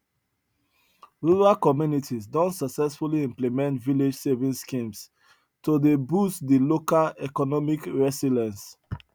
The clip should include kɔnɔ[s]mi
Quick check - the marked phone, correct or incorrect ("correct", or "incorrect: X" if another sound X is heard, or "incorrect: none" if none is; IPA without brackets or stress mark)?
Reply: incorrect: none